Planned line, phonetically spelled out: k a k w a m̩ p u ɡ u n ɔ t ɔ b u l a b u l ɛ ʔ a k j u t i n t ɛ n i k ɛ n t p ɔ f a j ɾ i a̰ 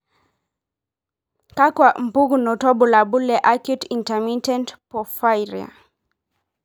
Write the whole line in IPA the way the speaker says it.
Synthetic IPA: k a k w a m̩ p u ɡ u n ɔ t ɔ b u l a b u l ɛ ʔ a k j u t i n t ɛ m i t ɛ n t p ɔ f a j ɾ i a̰